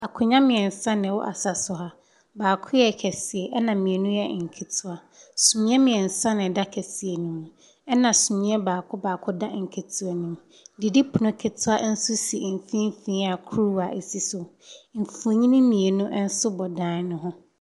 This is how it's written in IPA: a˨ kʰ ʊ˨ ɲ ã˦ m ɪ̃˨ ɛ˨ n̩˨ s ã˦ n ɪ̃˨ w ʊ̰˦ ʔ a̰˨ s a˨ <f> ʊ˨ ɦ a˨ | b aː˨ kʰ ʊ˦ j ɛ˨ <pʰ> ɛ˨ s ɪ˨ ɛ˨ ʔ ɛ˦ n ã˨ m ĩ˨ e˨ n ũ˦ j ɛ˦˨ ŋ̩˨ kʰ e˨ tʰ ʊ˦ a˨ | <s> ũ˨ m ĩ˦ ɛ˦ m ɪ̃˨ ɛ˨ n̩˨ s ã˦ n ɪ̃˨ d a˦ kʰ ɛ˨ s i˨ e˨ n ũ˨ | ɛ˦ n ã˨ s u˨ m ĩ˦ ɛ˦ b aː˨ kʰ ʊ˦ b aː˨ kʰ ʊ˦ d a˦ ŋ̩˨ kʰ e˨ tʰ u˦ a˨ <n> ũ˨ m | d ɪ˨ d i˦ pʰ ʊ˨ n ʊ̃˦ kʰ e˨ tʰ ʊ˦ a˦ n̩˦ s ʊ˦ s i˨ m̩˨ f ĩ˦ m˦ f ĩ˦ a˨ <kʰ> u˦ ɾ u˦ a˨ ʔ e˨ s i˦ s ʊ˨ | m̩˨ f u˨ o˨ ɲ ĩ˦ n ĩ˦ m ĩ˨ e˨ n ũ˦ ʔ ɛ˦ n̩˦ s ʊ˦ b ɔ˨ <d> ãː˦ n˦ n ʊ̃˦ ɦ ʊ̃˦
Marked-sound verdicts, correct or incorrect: incorrect: s, incorrect: kʰ, correct, correct, correct, correct

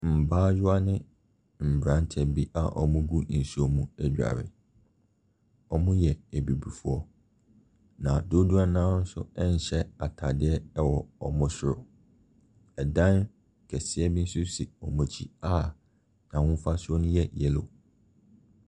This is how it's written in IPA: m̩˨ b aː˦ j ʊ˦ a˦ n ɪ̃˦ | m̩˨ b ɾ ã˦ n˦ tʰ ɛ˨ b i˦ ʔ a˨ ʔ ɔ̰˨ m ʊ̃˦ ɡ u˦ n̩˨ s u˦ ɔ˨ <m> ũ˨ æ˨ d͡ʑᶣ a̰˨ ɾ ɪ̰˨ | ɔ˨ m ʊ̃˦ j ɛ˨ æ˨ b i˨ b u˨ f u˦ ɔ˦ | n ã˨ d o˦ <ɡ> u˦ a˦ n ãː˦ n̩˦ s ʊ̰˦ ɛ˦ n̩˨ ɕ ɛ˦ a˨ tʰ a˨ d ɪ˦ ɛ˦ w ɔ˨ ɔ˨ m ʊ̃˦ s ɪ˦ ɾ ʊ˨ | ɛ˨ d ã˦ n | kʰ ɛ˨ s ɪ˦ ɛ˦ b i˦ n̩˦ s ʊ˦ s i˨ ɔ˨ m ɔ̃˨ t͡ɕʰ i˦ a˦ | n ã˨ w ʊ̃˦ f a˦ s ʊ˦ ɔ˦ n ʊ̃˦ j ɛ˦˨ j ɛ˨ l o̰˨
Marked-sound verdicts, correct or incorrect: correct, incorrect: d

